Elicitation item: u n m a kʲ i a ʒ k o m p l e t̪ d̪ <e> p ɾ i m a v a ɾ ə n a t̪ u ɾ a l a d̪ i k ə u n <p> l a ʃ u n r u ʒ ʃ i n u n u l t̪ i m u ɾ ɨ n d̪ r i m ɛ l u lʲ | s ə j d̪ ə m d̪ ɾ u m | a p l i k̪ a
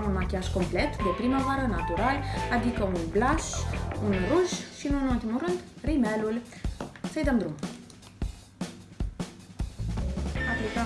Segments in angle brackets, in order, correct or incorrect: correct, incorrect: b

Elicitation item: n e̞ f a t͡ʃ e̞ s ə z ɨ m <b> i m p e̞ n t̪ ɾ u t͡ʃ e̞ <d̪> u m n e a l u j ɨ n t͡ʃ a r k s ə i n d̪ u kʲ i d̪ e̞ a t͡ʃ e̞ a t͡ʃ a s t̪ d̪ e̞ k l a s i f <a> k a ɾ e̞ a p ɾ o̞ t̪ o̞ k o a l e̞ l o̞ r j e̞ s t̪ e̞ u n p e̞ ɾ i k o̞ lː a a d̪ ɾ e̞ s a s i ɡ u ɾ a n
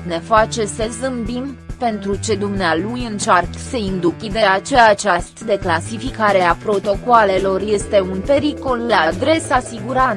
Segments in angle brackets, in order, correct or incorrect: correct, correct, incorrect: i

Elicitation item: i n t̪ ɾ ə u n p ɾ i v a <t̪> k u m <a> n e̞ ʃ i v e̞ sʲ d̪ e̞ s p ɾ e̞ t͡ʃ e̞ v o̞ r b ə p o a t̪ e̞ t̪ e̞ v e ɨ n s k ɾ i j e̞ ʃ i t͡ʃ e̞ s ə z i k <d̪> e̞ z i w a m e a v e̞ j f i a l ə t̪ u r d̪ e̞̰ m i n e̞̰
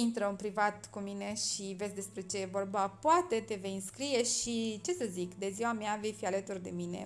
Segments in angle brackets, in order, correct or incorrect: correct, incorrect: i, correct

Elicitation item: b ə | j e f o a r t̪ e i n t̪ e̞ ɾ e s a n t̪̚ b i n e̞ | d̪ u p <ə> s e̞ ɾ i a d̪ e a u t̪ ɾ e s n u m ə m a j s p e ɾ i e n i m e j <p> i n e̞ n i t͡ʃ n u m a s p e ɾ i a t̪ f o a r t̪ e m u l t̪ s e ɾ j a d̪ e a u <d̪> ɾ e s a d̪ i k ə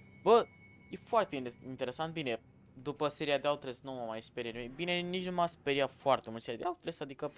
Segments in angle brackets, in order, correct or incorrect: correct, incorrect: b, incorrect: t̪

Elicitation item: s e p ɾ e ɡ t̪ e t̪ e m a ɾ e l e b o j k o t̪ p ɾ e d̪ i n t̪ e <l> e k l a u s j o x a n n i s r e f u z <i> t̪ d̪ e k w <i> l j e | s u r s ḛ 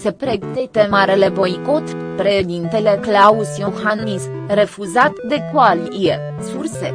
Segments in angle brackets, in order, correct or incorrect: correct, incorrect: a, incorrect: a

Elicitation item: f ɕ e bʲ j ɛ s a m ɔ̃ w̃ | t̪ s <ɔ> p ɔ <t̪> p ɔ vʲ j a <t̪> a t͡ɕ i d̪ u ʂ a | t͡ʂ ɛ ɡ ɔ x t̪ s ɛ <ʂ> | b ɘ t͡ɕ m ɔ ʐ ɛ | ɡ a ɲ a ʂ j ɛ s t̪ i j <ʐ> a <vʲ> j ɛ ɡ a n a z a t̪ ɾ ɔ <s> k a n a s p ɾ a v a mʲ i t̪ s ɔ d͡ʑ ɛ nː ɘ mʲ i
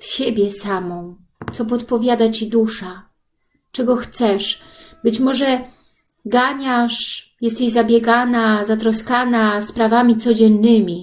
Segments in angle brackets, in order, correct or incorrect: correct, correct, incorrect: d̪, correct, incorrect: z, incorrect: bʲ, correct

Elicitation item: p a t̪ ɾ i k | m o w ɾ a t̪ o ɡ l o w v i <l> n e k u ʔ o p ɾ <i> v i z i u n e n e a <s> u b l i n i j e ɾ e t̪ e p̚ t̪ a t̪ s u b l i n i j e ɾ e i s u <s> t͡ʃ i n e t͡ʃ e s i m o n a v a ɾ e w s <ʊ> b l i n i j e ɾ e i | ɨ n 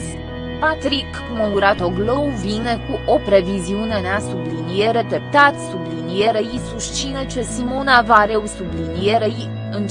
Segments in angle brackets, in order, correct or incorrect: incorrect: none, incorrect: e, correct, incorrect: ʃ, incorrect: u

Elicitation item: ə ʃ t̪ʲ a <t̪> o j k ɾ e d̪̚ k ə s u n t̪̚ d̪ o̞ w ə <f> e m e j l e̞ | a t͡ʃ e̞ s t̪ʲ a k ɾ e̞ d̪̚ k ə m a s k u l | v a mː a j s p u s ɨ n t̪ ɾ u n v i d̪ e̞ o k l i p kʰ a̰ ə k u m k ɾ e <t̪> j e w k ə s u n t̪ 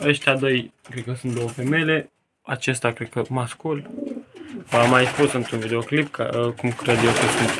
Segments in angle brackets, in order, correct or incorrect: incorrect: d̪, correct, incorrect: d̪

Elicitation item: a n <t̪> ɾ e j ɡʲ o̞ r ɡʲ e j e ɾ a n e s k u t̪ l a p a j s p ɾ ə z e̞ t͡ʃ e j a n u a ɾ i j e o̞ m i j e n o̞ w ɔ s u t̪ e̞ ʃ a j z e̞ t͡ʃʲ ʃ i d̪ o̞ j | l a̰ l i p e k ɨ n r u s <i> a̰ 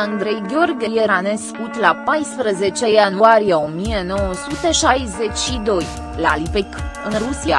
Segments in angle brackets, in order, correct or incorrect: incorrect: d̪, correct

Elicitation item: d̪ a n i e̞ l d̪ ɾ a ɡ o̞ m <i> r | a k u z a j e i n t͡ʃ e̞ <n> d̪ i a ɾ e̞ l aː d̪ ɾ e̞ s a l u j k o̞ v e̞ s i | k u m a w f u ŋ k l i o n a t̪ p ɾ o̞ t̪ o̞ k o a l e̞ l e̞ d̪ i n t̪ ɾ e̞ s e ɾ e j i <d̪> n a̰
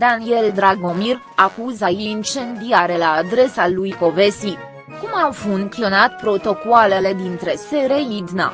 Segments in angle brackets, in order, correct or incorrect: correct, correct, correct

